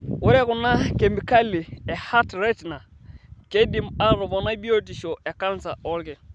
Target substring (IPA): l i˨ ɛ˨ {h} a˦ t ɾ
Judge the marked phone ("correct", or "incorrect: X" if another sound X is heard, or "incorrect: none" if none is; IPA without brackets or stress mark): correct